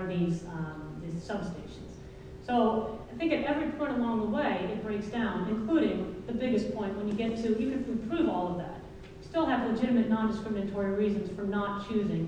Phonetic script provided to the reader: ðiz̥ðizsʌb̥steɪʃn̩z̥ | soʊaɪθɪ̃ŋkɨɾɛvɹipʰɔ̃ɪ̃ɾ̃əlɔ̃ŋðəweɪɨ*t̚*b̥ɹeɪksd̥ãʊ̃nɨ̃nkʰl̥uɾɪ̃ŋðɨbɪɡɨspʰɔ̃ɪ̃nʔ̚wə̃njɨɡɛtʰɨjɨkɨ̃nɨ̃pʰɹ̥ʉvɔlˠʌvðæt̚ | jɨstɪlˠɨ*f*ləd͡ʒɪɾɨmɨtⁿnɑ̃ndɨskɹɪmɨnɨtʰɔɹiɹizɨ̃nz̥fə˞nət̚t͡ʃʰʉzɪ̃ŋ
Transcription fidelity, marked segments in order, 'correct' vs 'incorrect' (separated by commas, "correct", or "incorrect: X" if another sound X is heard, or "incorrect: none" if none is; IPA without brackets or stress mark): correct, incorrect: v